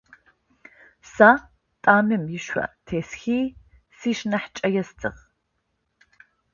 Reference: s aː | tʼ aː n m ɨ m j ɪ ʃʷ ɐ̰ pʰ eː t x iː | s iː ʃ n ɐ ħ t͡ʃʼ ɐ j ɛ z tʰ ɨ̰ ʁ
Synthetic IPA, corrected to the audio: s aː | tʼ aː m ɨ m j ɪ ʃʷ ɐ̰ tʰ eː s x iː | s iː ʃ n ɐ ħ t͡ʃʼ ɐ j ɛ s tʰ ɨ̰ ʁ